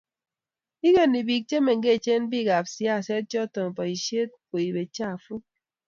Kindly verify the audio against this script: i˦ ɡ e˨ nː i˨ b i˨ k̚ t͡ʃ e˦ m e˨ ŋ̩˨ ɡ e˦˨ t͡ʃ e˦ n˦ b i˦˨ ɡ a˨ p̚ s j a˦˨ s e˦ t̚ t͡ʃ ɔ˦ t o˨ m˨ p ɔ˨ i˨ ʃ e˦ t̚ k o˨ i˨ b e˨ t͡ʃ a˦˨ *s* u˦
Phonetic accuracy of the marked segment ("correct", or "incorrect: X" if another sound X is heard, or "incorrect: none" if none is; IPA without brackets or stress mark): incorrect: f